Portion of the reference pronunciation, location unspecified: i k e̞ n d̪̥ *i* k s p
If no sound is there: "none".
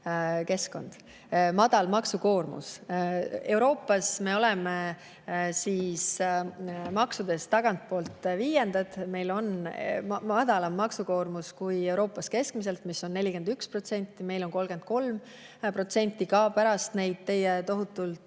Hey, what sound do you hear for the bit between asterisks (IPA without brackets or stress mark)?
y